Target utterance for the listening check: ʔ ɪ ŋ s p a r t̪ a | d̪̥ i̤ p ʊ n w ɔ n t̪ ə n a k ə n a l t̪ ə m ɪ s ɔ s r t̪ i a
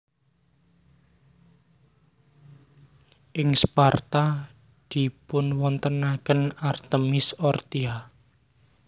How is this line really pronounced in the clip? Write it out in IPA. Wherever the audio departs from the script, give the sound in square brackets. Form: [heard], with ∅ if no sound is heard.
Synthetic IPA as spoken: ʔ ɪ ŋ s p a r t̪ a | d̪̥ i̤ p ʊ n w ɔ n t̪ ə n a k ə n a [r] t̪ ə m ɪ s ɔ [∅] r t̪ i a